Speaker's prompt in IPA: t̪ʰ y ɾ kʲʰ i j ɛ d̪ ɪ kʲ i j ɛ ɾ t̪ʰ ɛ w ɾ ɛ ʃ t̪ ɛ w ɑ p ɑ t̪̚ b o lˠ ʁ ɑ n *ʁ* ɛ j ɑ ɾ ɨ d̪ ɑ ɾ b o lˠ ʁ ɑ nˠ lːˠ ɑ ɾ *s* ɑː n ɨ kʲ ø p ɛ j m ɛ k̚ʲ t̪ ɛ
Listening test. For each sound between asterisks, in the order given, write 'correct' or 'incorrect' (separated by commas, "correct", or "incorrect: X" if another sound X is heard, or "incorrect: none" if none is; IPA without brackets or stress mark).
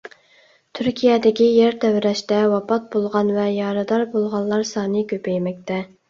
incorrect: v, correct